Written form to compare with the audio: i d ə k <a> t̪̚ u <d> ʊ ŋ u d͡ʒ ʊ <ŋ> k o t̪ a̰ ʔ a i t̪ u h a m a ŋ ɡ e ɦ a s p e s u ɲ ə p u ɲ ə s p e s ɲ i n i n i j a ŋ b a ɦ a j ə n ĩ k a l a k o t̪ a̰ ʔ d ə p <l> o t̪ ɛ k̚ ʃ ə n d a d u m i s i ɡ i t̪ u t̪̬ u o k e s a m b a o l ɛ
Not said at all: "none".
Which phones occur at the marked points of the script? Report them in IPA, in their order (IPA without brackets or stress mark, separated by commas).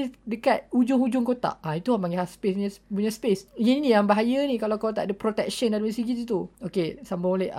a, d͡ʒ, ŋ, ɾ